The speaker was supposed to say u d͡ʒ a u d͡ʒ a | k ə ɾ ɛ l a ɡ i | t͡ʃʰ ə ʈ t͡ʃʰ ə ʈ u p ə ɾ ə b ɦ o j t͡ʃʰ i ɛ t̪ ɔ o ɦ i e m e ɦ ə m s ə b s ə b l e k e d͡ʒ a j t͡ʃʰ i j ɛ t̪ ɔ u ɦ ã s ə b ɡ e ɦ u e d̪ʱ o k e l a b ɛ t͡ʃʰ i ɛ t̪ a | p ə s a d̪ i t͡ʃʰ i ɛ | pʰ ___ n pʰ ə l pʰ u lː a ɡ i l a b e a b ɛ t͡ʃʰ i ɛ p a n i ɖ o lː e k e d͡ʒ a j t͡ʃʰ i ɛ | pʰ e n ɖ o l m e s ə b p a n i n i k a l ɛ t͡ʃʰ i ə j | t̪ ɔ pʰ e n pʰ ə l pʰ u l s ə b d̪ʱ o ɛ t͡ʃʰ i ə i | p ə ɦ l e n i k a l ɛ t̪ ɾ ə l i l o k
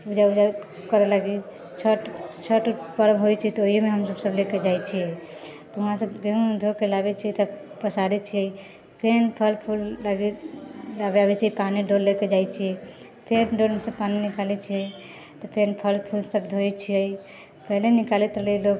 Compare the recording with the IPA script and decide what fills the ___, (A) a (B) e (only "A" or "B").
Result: B